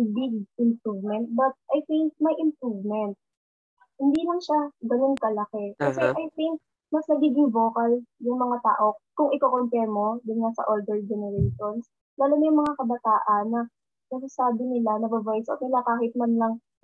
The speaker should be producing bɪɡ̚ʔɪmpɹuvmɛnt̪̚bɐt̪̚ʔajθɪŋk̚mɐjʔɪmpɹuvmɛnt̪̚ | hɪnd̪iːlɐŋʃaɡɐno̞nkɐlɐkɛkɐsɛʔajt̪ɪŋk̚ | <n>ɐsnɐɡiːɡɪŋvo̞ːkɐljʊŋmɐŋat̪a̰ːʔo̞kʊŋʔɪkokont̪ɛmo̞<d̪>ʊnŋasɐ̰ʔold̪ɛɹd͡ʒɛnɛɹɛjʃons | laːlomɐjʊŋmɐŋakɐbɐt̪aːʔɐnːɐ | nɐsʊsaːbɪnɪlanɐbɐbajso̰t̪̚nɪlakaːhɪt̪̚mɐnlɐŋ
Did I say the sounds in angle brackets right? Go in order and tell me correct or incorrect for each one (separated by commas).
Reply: incorrect, correct